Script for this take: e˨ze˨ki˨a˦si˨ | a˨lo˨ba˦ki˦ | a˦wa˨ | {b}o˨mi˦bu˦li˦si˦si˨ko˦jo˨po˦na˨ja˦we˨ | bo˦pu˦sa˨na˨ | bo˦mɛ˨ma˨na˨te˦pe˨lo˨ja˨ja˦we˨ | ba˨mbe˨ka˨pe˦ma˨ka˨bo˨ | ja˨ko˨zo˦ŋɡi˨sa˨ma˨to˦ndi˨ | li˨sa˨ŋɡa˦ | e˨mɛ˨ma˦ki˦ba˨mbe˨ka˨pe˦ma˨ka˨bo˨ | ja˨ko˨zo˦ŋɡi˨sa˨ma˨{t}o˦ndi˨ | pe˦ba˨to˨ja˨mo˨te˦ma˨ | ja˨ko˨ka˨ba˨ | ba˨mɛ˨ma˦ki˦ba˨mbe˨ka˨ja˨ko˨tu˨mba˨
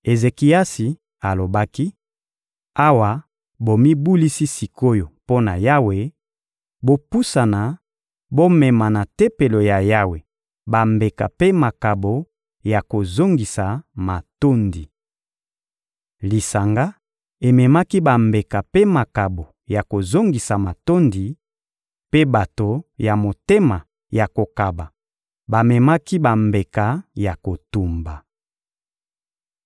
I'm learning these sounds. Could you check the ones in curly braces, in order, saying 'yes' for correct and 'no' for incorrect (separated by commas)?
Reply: yes, yes